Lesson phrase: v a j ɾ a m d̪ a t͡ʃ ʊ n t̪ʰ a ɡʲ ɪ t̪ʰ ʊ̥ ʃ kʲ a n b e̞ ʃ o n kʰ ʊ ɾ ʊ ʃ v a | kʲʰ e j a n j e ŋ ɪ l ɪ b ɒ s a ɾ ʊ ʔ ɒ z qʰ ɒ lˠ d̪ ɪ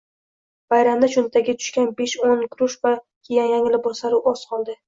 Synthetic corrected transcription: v a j ɾ a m d̪ a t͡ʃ ʊ n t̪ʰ a ɡʲ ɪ t̪ʰ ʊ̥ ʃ kʲ a n b e̞ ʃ o n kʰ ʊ ɾ ʊ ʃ v a | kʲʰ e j a n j a ŋ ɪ l ɪ b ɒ s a ɾ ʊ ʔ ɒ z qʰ ɒ lˠ d̪ ɪ